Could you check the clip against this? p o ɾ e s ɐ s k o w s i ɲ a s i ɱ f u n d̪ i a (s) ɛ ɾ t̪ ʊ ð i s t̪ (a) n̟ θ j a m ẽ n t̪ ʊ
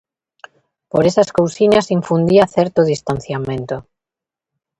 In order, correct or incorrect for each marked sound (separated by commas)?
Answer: incorrect, correct